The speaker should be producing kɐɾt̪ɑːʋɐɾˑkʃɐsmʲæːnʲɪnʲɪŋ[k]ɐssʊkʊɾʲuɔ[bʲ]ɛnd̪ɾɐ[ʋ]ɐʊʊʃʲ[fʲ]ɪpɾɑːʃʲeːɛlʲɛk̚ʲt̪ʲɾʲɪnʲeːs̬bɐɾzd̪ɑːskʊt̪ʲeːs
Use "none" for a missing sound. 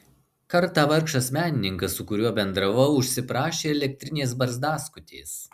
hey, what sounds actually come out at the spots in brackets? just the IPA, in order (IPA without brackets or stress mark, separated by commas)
k, bʲ, ʋ, sʲ